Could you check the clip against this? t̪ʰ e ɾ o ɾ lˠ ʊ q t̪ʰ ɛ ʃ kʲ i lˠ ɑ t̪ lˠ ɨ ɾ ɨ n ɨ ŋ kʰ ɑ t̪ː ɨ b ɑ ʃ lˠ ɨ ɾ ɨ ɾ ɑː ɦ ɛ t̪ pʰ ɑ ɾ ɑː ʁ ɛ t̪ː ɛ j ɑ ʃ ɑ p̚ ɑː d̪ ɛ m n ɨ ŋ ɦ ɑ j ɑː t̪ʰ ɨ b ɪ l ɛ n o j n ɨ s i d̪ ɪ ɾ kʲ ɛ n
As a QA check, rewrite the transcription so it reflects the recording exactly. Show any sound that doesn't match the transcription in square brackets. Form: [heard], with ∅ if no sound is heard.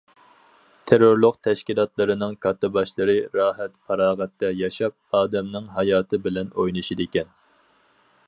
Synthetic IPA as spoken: t̪ʰ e ɾ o ɾ lˠ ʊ q t̪ʰ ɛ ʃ kʲ i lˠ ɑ t̪ lˠ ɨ ɾ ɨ n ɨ ŋ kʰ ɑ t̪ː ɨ b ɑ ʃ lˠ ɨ ɾ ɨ ɾ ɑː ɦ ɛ t̪ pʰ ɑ ɾ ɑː ʁ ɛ t̪ː ɛ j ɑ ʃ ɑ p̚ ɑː d̪ ɛ m n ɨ ŋ ɦ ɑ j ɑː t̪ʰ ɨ b ɪ l ɛ n o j n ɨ [ʃ] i d̪ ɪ [∅] kʲ ɛ n